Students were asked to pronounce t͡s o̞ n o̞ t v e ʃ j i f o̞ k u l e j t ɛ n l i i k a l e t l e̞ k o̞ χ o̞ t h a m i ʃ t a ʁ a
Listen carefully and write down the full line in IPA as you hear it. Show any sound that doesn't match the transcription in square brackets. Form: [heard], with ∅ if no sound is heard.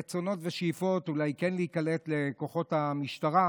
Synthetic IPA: t͡s o̞ n o̞ t v e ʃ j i f o̞ [t] u l [a] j [k] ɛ n l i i k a l e t l e̞ k o̞ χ o̞ t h a m i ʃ t a ʁ a